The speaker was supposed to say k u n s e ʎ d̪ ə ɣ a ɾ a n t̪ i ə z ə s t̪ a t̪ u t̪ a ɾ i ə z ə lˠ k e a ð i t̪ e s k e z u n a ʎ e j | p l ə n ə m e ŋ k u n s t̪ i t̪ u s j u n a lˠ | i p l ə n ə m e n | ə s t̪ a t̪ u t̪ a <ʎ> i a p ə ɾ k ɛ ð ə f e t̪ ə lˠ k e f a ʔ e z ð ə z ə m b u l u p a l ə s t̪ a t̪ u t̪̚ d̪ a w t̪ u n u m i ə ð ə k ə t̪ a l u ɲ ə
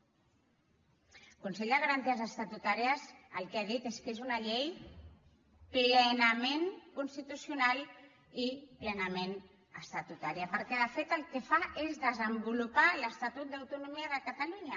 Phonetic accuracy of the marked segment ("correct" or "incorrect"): incorrect